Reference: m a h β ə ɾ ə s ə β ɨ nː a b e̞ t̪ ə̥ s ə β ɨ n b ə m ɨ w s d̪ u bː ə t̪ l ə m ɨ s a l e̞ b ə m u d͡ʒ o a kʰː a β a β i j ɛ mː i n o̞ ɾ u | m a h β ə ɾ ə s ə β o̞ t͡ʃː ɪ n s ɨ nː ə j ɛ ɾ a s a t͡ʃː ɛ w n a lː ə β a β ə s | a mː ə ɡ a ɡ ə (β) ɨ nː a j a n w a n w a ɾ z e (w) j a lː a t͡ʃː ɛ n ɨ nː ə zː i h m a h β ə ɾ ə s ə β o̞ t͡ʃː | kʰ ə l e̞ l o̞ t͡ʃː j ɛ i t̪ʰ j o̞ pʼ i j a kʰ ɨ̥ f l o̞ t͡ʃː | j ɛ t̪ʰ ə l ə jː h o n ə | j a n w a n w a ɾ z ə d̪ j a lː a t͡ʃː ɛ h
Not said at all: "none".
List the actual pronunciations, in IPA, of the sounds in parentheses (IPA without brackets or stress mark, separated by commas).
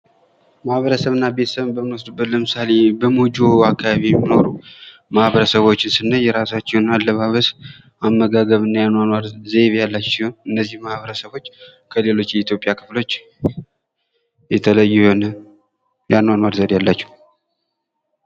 β, β